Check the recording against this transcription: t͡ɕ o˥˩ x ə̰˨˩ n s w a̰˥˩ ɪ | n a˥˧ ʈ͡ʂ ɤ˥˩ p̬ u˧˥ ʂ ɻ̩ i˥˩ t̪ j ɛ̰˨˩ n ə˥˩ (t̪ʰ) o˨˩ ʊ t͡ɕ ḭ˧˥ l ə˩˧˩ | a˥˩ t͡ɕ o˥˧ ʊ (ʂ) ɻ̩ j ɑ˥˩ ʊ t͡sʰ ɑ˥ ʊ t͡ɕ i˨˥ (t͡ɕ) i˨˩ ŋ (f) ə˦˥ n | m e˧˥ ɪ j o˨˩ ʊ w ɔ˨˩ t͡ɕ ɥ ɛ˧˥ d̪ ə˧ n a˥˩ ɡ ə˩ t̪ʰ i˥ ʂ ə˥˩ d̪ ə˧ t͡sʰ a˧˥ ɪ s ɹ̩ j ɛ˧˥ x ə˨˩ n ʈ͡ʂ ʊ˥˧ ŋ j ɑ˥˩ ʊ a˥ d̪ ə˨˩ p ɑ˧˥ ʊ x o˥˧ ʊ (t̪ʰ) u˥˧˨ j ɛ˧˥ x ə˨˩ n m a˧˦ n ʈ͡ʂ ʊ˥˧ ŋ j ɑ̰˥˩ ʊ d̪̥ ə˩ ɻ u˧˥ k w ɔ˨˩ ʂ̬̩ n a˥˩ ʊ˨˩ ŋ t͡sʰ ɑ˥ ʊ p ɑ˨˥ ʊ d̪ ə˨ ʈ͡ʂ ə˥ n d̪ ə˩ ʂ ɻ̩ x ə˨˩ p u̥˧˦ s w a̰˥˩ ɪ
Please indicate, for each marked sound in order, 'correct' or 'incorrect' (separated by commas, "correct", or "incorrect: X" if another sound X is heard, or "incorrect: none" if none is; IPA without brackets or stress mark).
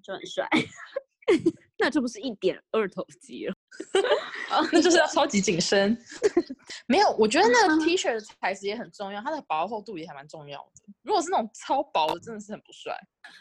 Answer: correct, correct, correct, incorrect: ʂ, incorrect: t̪